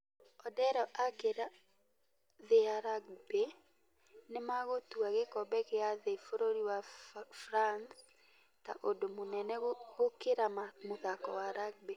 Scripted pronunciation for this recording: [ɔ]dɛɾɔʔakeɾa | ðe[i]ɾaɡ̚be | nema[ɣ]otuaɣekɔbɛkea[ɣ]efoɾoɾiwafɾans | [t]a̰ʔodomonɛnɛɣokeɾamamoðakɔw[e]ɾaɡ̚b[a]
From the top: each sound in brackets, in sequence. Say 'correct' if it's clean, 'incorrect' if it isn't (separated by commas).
correct, incorrect, correct, incorrect, correct, incorrect, incorrect